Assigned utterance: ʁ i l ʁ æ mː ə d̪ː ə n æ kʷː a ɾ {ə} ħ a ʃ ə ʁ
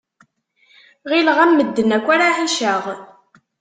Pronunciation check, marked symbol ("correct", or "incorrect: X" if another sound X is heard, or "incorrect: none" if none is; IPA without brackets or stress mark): incorrect: a